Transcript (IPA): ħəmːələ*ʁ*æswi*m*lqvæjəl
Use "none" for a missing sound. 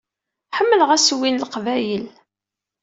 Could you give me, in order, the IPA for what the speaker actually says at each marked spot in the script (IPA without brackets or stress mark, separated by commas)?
ʁ, n